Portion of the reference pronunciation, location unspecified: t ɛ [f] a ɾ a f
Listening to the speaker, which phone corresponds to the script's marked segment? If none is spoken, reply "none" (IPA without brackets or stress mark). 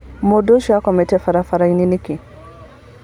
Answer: f